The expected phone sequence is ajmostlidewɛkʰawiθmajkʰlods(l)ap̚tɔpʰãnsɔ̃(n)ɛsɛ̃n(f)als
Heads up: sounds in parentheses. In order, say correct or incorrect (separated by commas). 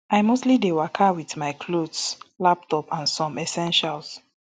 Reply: correct, incorrect, incorrect